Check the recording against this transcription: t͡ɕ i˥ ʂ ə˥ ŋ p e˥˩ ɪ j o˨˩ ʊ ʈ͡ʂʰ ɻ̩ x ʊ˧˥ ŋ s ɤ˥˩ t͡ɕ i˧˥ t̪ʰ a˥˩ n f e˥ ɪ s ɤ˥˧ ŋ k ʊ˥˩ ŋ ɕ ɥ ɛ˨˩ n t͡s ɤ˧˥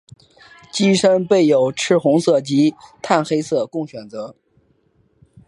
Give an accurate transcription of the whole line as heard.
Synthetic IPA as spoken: t͡ɕ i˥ ʂ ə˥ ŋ p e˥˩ ɪ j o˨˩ ʊ ʈ͡ʂʰ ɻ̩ x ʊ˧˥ ŋ s ɤ˥˩ t͡ɕ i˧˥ t̪ʰ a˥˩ n x e˥ ɪ s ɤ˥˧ k ʊ˥˩ ŋ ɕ ɥ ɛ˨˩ n t͡s ɤ˧˥